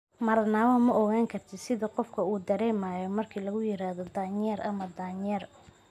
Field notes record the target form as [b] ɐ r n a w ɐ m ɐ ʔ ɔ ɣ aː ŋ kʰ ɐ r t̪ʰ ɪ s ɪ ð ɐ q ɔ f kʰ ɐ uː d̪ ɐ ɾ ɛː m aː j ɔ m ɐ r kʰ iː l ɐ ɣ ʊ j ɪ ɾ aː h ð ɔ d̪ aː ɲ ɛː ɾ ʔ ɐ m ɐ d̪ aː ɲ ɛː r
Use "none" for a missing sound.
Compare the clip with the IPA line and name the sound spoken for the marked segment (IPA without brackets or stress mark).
m